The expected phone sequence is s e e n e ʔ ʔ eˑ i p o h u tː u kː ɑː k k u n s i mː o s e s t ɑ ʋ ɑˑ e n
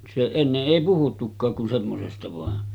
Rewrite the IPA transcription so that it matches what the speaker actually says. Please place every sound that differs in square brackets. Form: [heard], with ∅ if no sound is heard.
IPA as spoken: s e e [nː] e ʔ ʔ eˑ i p [u] h u tː u kː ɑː k k u n s [e] mː o s e s t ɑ ʋ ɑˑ e n